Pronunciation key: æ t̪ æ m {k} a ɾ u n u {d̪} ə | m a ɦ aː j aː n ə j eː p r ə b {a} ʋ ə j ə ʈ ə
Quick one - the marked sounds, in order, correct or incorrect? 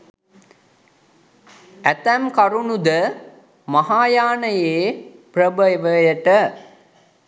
correct, correct, incorrect

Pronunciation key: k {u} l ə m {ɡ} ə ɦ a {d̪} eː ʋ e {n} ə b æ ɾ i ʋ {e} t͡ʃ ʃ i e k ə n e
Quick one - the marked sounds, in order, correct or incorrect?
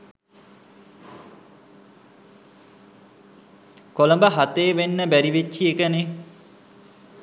incorrect, incorrect, incorrect, incorrect, correct

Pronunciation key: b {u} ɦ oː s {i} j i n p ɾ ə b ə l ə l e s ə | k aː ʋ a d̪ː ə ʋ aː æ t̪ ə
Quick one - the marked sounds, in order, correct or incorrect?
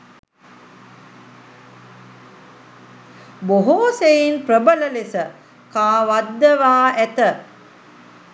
incorrect, incorrect

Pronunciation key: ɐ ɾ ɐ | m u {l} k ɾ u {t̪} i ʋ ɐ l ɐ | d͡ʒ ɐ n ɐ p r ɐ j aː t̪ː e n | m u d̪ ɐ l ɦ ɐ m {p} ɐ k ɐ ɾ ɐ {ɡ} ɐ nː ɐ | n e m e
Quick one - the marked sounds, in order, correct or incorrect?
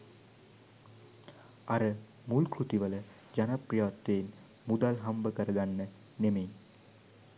correct, correct, incorrect, correct

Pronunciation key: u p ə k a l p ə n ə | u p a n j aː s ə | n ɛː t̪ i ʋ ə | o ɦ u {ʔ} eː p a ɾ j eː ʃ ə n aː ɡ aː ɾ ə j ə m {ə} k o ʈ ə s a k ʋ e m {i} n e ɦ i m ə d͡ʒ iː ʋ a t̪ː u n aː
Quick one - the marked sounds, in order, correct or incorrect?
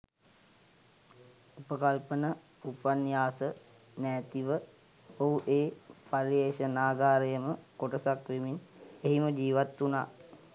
correct, correct, correct

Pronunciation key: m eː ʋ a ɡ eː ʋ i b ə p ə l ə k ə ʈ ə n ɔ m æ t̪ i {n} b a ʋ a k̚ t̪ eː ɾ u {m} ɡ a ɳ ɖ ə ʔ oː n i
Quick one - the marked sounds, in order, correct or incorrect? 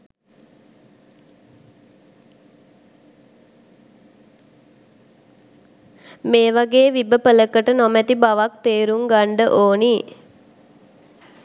incorrect, incorrect

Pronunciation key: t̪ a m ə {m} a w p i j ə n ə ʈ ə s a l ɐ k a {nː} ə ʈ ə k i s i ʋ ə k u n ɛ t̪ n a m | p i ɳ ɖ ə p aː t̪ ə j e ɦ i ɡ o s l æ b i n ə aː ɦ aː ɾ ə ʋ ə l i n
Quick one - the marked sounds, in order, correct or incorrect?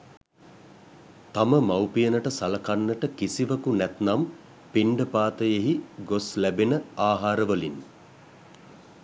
correct, correct

